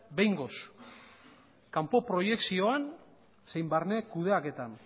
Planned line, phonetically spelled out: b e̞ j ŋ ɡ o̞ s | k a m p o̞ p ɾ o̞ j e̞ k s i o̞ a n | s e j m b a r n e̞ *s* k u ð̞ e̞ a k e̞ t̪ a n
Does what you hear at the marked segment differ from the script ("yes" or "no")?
yes